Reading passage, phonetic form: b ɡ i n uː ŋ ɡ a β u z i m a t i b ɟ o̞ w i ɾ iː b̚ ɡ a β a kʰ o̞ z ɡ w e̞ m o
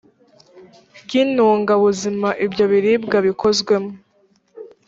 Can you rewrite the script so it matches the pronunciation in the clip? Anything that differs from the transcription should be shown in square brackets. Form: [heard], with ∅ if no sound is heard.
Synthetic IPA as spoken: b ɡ i n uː ŋ ɡ a β u z i m a [ʔ] i b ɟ o̞ [β] i ɾ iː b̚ ɡ a β [i] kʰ o̞ z ɡ w e̞ m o